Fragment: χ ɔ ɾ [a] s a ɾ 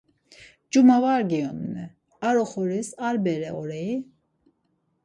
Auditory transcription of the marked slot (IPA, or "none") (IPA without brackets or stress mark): i